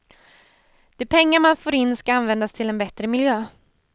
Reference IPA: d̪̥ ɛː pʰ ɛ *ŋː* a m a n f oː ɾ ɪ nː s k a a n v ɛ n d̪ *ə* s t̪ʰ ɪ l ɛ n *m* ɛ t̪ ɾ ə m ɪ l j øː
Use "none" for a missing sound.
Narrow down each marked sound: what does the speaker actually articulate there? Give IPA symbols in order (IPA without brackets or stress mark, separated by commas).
ŋː, a, b